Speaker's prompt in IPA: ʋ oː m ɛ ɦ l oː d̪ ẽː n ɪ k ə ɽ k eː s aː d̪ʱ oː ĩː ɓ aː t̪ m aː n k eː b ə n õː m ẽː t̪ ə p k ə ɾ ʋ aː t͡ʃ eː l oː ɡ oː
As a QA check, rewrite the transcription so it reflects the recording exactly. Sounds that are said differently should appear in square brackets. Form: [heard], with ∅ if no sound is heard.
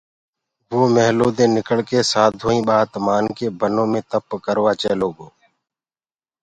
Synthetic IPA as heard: ʋ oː m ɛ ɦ l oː d̪ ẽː n ɪ k ə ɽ k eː s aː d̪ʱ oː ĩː ɓ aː t̪ m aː n k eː b ə n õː m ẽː t̪ ə p k ə ɾ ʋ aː t͡ʃ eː l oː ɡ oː